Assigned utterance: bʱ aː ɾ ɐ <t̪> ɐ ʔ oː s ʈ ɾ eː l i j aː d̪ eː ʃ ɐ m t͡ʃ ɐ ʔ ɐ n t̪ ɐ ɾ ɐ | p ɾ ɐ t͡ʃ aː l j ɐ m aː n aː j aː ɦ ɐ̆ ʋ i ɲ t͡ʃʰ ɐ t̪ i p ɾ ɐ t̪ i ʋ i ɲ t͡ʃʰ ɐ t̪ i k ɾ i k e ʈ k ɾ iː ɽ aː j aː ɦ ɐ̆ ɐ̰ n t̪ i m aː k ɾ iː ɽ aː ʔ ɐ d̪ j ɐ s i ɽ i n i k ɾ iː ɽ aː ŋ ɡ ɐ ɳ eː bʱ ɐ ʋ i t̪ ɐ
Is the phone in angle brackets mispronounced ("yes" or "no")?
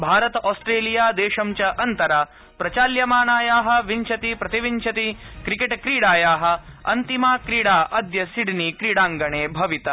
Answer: no